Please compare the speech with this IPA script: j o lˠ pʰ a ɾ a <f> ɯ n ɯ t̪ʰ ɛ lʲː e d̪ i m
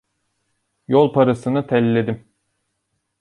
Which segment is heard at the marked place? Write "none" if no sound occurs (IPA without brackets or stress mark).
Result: s